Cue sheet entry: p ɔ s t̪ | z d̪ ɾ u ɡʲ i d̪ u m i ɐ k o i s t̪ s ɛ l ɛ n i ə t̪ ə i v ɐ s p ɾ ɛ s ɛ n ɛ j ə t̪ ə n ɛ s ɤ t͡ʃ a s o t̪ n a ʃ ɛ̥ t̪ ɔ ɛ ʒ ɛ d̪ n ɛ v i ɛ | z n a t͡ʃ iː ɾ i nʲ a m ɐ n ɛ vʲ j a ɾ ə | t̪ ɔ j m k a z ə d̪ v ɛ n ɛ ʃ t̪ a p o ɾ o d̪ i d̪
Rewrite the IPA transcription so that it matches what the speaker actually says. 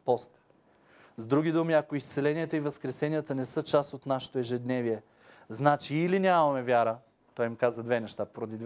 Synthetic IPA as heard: p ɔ s t̪ | z d̪ ɾ u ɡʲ i d̪ u m i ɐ k o i s t̪ s ɛ l ɛ n i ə t̪ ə i v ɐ s k ɾ ɛ s ɛ n i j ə t̪ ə n ɛ s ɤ t͡ʃ a s o t̪ n a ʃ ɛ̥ t̪ o ɛ ʒ ɛ d̪ n ɛ v i ɛ | z n a t͡ʃ iː l i nʲ a m ɐ m ɛ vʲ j a ɾ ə | t̪ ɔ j m k a z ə d̪ v ɛ n ɛ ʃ t̪ a p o ɾ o d̪ i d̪